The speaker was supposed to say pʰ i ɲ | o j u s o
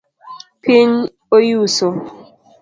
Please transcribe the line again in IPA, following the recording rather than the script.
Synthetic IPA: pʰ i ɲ | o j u s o